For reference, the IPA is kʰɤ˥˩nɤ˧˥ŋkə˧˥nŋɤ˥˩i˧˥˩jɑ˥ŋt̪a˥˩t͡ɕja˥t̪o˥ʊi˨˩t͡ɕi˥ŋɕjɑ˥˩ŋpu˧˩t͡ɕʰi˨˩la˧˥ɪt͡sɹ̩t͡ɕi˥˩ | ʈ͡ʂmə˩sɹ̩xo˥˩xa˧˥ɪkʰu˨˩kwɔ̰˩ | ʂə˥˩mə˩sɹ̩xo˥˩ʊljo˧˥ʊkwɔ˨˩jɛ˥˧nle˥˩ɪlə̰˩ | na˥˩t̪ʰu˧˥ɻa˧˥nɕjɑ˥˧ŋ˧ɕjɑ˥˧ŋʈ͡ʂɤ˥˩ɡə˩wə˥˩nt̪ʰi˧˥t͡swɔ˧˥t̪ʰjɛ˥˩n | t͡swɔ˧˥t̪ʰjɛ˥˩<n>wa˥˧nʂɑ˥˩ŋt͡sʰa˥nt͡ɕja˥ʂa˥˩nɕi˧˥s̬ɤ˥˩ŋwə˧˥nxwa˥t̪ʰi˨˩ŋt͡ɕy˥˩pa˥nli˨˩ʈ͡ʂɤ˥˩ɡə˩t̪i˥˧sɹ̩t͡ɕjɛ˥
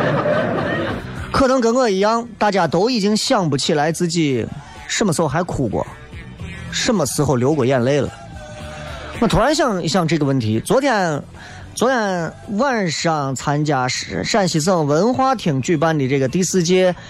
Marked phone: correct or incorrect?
correct